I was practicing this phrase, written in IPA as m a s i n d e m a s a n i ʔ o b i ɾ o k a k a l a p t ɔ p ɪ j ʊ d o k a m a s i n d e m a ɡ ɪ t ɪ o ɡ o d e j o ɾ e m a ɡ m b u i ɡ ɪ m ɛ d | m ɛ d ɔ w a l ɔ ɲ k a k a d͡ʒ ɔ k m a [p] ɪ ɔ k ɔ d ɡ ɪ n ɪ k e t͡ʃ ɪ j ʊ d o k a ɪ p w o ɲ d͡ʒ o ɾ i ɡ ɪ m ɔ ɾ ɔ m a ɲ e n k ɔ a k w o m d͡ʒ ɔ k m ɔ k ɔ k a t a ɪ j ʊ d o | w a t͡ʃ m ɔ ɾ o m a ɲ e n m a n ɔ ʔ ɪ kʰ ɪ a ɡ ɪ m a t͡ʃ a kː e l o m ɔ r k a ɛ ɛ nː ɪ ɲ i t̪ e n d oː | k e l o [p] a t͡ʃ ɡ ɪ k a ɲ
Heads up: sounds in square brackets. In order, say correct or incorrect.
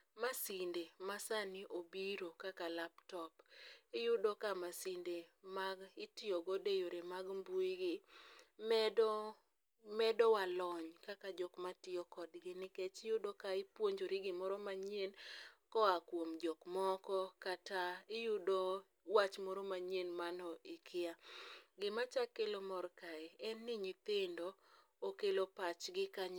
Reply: incorrect, correct

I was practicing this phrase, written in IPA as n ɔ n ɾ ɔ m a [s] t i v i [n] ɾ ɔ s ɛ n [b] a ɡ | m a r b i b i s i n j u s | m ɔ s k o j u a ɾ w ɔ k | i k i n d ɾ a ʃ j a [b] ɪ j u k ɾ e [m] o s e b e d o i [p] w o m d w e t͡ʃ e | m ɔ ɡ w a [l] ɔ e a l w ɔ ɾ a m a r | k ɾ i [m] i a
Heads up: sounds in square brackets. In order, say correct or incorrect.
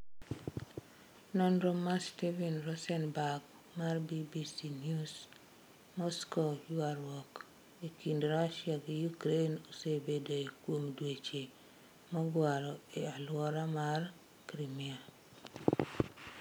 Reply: correct, correct, correct, incorrect, incorrect, incorrect, incorrect, correct

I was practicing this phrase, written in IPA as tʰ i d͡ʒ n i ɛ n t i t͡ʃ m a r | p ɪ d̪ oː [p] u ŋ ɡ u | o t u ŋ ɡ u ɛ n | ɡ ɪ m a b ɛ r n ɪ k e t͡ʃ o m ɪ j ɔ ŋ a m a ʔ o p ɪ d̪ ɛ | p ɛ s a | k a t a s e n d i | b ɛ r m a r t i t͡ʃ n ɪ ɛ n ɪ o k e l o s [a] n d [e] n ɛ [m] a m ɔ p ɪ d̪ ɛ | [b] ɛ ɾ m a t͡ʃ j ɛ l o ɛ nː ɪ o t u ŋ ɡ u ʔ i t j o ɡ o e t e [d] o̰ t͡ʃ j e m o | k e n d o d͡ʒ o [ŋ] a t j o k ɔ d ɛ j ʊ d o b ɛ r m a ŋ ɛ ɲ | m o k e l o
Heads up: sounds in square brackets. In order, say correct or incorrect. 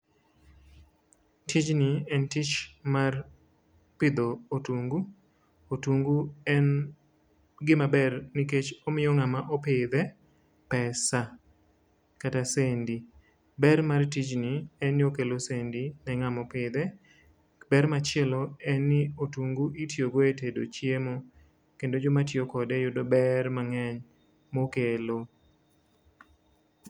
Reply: incorrect, incorrect, incorrect, incorrect, correct, correct, incorrect

